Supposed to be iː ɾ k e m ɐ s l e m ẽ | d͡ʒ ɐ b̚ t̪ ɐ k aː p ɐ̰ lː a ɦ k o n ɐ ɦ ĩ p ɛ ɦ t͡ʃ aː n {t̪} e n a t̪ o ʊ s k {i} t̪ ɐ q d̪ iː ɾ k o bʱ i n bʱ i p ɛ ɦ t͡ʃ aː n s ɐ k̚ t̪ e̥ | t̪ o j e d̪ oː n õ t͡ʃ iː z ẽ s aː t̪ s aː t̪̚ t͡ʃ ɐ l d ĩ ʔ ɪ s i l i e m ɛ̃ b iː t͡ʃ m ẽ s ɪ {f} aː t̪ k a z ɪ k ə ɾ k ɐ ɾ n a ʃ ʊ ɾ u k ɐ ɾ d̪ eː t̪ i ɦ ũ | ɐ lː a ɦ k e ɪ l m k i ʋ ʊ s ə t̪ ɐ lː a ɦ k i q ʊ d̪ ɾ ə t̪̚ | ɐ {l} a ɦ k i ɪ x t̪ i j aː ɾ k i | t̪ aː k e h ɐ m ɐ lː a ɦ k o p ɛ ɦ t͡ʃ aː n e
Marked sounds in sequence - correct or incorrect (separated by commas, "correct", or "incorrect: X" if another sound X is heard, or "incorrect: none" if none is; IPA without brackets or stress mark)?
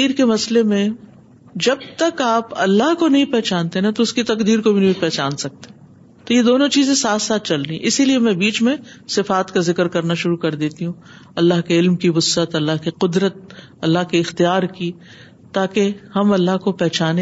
correct, correct, correct, incorrect: lː